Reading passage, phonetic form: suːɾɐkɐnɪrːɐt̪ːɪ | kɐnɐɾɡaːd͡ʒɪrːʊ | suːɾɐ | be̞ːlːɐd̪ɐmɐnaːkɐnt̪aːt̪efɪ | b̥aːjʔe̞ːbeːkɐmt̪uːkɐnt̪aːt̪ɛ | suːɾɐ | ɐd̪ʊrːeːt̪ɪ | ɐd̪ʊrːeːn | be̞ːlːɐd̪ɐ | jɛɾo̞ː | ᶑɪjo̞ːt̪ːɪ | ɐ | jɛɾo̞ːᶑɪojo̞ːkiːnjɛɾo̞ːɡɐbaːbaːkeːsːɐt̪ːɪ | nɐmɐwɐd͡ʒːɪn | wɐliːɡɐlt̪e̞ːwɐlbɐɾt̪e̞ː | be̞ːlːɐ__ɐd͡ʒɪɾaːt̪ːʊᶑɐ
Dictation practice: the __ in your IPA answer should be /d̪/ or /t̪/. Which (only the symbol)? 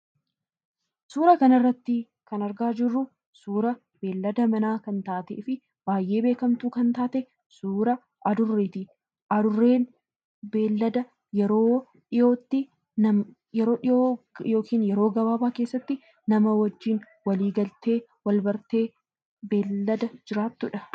d̪